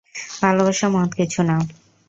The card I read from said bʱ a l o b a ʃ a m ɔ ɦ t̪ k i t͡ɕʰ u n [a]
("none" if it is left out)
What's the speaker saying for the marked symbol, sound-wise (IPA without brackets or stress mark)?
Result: a